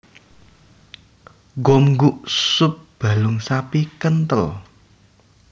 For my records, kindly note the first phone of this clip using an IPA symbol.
ɡ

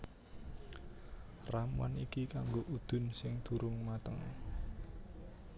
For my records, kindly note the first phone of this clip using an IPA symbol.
r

